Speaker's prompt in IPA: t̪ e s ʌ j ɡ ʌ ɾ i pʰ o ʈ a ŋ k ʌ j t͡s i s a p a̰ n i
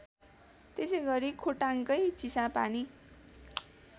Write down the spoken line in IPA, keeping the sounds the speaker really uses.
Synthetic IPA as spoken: t̪ e s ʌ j ɡ ʌ ɾ i kʰ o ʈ a ŋ k ʌ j t͡s i s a p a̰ n i